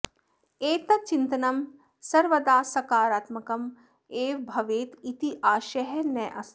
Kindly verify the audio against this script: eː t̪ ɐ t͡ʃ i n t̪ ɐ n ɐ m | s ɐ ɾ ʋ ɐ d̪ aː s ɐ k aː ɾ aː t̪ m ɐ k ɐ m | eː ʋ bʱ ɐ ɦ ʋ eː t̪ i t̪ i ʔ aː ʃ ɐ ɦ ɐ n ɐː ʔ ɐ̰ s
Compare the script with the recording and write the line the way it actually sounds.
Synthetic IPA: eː t̪ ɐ t͡ʃ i n t̪ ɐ n ɐ m | s ɐ ɾ ʋ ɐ d̪ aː s ɐ k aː ɾ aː t̪ m ɐ k ɐ m | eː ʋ bʱ ɐ ʋ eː t̪ i t̪ i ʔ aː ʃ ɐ ɦ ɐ n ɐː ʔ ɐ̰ s